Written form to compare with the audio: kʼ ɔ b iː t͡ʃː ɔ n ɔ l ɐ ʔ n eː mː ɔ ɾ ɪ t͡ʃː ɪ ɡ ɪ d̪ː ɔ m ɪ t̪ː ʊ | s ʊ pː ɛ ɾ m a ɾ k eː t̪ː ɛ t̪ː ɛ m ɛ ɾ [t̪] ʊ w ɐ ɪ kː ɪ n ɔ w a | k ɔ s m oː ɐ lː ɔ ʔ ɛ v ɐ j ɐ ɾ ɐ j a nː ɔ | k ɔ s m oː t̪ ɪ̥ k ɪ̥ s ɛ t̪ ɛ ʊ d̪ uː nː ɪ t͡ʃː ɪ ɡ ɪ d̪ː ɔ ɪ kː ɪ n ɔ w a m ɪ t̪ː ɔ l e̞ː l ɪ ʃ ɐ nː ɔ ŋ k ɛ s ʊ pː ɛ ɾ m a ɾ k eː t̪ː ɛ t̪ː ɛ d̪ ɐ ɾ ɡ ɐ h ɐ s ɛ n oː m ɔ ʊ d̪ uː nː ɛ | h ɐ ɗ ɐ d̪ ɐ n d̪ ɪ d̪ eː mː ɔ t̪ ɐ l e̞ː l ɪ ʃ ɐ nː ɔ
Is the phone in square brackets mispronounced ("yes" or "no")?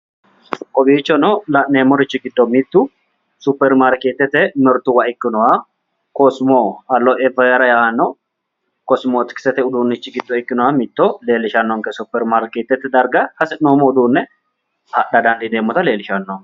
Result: no